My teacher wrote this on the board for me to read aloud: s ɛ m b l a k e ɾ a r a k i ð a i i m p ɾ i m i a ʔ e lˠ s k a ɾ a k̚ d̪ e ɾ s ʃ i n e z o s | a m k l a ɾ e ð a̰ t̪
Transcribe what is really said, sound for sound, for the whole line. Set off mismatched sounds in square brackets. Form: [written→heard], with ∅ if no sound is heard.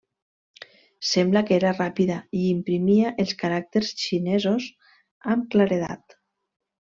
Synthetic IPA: s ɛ m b l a k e ɾ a r a [k→p] i ð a i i m p ɾ i m i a ʔ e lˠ s k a ɾ a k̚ [d̪→t̪] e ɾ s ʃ i n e z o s | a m k l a ɾ e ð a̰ t̪

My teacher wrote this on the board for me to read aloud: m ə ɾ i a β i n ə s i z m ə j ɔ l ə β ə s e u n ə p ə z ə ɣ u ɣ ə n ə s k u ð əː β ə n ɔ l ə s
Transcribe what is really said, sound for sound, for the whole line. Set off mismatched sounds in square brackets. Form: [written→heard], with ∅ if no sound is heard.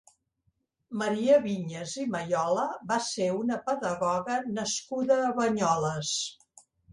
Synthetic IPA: m ə ɾ i [a→ə] β i [n→ɲ] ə [s→z] i [z→∅] m ə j ɔ l ə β [ə→a] s e u n ə p ə [z→ð] ə ɣ [u→ɔ] ɣ ə n ə s k u ð əː β ə [n→ɲ] ɔ l ə s

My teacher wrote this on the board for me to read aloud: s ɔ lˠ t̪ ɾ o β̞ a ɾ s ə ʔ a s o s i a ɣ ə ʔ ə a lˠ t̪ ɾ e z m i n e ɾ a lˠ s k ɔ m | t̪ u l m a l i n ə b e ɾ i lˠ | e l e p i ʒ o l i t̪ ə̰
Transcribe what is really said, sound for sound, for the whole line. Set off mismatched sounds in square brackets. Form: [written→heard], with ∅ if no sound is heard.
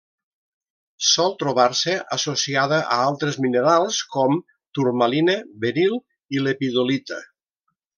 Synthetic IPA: s ɔ lˠ t̪ ɾ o β̞ a ɾ s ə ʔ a s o s i a [ɣ→ð] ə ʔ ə a lˠ t̪ ɾ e z m i n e ɾ a lˠ s k ɔ m | t̪ u [l→ɾ] m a l i n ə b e ɾ i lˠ | [e→i] l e p i [ʒ→ð] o l i t̪ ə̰

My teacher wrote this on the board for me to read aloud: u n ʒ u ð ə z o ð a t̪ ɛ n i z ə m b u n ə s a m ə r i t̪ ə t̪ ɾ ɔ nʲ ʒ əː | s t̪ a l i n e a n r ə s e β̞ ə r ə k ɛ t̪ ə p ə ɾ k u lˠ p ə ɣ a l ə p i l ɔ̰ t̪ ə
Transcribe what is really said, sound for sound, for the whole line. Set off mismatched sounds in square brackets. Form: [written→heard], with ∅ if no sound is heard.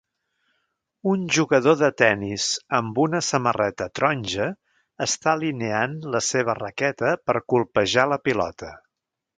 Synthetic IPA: u n ʒ u [ð→ɣ] ə [z→ð] o ð [a→ə] t̪ ɛ n i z ə m b u n ə s [a→ə] m ə r [i→ɛ] t̪ ə t̪ ɾ ɔ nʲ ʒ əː | s t̪ a l i n e a n [r→l] ə s e β̞ ə r ə k ɛ t̪ ə p ə ɾ k u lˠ p ə [ɣ→ʒ] a l ə p i l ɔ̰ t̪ ə

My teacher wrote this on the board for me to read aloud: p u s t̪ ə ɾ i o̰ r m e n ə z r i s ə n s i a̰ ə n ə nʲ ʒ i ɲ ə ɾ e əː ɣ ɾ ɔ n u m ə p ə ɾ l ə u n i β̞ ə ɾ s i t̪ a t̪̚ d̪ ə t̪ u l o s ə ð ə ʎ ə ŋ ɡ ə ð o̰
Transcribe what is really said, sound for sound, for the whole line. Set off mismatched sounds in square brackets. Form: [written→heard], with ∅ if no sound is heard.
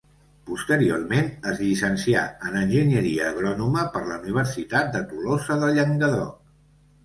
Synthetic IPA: p u s t̪ ə ɾ i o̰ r m e n ə z [r→ʎ] i s ə n s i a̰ ə n ə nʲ ʒ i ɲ ə ɾ [e→i] əː ɣ ɾ ɔ n u m ə p ə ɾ l ə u n i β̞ ə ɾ s i t̪ a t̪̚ d̪ ə t̪ u l o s ə ð ə ʎ ə ŋ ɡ ə ð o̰

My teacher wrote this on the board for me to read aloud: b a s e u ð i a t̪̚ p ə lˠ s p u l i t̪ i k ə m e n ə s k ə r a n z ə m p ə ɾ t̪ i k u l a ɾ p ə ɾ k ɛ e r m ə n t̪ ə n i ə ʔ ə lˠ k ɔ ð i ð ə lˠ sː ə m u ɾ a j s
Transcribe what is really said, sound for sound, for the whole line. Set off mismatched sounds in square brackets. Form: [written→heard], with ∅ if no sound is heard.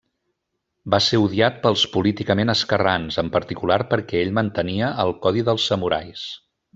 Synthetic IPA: b a s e u ð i a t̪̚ p ə lˠ s p u l i t̪ i k ə m e n ə s k ə r a n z ə m p ə ɾ t̪ i k u l a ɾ p ə ɾ k ɛ e [r→ʎ] m ə n t̪ ə n i ə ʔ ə lˠ k ɔ ð i ð ə lˠ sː ə m u ɾ a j s

